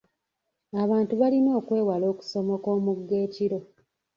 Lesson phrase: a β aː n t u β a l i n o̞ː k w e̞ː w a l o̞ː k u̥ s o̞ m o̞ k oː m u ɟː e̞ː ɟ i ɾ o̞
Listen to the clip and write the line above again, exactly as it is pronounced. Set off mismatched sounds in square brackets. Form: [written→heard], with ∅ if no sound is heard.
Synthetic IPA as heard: a β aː n t u β a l i n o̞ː k w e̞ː w a l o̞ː k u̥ s o̞ m o̞ k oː m u [ɟː→ɡː] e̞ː [ɟ→c] i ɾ o̞